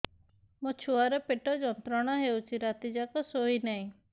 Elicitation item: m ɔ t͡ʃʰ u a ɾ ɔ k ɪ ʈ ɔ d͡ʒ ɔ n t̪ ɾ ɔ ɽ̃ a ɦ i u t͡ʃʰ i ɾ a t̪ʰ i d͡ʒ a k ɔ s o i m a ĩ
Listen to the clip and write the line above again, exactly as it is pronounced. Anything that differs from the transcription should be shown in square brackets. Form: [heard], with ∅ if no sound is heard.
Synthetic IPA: m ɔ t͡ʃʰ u a ɾ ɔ [p] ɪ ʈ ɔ d͡ʒ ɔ n t̪ ɾ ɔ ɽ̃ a ɦ [e] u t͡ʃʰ i ɾ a [t̪] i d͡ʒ a k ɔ s o i [n] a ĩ